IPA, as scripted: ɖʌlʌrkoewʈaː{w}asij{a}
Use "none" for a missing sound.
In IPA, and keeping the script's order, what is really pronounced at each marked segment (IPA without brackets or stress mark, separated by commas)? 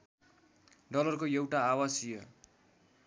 w, ʌ